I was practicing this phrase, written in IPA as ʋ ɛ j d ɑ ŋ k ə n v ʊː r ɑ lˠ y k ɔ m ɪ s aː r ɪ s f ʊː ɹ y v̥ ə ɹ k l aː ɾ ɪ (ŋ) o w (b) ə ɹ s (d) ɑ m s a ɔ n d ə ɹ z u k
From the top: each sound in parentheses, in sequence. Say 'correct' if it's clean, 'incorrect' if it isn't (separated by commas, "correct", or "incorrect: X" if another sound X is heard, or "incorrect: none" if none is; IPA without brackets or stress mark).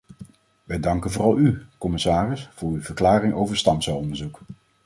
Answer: correct, incorrect: v, incorrect: t